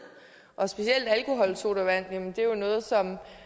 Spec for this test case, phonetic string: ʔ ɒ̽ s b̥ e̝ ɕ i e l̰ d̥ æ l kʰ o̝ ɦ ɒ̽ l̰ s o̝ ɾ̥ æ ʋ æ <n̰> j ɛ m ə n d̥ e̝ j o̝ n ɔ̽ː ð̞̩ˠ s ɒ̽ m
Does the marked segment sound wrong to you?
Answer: no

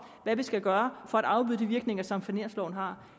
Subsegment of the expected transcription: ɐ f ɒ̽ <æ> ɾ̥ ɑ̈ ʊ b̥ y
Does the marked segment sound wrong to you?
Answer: no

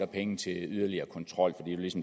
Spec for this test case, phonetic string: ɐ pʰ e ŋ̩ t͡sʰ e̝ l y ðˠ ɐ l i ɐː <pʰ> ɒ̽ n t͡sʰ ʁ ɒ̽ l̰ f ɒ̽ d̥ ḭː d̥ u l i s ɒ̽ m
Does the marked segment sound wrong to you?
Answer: yes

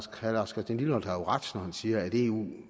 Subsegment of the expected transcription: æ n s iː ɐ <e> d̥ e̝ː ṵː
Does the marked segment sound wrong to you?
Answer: yes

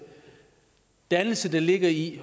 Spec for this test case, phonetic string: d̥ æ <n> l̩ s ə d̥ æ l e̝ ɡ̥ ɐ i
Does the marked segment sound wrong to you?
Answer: no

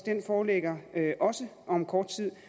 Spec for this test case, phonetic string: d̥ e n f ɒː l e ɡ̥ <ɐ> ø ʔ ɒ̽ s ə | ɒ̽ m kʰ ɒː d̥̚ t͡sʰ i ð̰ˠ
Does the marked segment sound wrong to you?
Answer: no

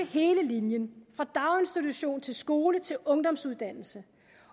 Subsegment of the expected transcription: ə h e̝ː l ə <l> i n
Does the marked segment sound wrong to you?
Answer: no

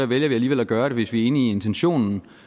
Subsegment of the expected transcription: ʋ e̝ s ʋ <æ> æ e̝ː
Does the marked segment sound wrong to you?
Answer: yes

